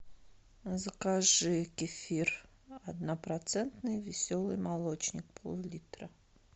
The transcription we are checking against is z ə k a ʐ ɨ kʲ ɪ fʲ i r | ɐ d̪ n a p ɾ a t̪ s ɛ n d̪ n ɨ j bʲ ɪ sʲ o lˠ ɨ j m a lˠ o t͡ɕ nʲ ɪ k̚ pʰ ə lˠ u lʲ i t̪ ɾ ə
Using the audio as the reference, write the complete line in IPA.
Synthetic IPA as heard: z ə k a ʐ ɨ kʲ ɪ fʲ i r | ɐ d̪ n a p ɾ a t̪ s ɛ n t̪ n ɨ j vʲ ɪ sʲ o lˠ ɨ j m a lˠ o t͡ɕ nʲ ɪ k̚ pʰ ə lˠ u lʲ i t̪ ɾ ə

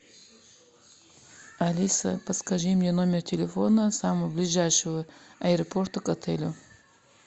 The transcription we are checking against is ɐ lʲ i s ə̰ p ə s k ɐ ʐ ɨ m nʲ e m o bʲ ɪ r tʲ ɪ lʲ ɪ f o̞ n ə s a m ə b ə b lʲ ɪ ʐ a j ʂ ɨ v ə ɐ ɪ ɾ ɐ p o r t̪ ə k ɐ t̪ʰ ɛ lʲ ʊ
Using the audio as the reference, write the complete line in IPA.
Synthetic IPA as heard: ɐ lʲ i s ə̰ p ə s k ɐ ʐ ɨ m nʲ e n o mʲ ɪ r tʲ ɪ lʲ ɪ f o̞ n ə s a m ə v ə b lʲ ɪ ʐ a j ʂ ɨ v ə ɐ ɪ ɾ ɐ p o r t̪ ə k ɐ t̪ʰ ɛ lʲ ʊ

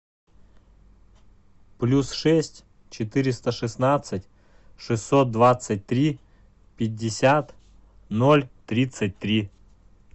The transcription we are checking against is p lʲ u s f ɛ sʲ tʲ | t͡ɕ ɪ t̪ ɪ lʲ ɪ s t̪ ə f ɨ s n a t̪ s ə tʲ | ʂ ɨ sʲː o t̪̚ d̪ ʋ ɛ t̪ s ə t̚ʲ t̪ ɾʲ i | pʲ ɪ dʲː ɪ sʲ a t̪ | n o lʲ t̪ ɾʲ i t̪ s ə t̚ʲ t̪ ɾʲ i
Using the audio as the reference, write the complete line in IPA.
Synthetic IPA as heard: p lʲ u s ʂ ɛ sʲ tʲ | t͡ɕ ɪ t̪ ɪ ɾʲ ɪ s t̪ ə ʂ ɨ s n a t̪ s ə tʲ | ʂ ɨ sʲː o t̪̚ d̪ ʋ a t̪ s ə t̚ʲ t̪ ɾʲ i | pʲ ɪ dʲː ɪ sʲ a t̪ | n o lʲ t̪ ɾʲ i t̪ s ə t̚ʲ t̪ ɾʲ i

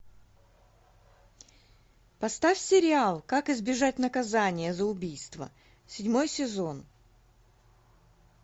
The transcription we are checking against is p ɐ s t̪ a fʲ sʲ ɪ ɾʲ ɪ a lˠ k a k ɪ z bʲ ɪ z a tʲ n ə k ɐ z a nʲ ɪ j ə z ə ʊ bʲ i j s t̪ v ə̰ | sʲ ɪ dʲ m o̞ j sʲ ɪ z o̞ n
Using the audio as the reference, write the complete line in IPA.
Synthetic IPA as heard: p ɐ s t̪ a fʲ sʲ ɪ ɾʲ ɪ a lˠ k a k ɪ z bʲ ɪ ʐ a tʲ n ə k ɐ z a nʲ ɪ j ə z ə ʊ bʲ i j s t̪ v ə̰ | sʲ ɪ dʲ m o̞ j sʲ ɪ z o̞ n

